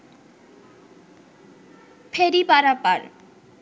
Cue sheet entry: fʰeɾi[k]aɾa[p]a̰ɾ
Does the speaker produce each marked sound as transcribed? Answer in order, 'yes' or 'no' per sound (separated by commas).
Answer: no, yes